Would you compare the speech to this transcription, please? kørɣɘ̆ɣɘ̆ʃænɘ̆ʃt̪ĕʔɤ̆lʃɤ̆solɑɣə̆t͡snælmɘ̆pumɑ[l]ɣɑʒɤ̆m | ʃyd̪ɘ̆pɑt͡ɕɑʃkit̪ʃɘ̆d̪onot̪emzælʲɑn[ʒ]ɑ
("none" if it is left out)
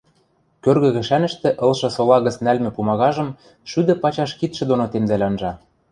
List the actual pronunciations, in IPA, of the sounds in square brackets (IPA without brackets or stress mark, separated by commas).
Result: none, ʒ